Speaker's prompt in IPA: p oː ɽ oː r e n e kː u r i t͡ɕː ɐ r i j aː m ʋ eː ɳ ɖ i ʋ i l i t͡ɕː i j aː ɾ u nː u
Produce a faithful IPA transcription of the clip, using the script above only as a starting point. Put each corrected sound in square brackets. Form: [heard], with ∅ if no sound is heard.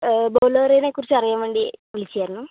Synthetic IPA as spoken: [b] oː [l] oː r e n e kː u r i t͡ɕː ɐ r i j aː m ʋ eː ɳ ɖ i ʋ i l i t͡ɕː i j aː ɾ u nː u